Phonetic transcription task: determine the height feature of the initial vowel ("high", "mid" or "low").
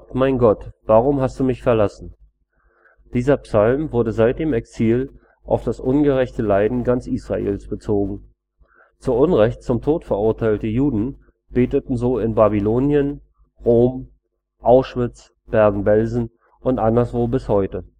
low